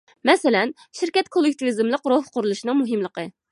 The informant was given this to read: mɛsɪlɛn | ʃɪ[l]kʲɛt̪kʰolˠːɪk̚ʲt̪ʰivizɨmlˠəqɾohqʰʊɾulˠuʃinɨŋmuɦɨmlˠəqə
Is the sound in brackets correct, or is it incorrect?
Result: incorrect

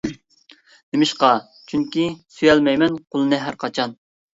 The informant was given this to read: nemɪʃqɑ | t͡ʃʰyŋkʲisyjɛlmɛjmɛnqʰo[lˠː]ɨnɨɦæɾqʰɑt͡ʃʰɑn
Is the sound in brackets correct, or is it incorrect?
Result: incorrect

